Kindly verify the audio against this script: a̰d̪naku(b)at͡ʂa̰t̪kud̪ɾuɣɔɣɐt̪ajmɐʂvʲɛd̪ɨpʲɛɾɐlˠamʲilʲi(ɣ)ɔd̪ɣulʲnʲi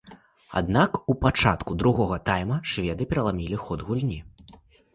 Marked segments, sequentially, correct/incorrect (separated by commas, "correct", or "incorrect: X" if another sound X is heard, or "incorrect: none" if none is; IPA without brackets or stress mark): incorrect: p, incorrect: x